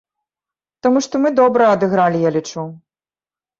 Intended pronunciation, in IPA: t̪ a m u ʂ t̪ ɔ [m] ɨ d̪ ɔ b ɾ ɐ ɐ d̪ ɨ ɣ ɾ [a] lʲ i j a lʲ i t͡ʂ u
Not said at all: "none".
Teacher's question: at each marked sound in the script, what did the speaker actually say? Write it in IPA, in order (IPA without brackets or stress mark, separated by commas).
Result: m, a